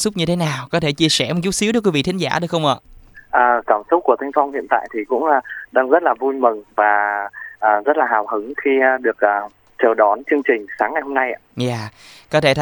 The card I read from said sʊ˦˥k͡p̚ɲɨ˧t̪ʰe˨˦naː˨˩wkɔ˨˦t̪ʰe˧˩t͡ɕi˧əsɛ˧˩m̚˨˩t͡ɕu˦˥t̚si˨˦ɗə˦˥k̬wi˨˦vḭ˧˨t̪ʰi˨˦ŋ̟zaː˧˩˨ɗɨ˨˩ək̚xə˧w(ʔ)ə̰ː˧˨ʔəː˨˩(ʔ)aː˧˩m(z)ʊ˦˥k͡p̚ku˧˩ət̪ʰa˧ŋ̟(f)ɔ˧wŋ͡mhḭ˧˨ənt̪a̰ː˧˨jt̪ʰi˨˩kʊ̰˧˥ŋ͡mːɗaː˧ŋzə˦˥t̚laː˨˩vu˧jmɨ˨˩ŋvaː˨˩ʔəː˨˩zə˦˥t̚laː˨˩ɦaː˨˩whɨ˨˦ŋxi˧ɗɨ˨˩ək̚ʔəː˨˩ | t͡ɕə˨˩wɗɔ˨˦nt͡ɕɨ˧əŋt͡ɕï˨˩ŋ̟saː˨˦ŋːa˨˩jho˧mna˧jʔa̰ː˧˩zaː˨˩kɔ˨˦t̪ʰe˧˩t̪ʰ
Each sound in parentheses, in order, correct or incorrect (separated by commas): correct, incorrect, incorrect, correct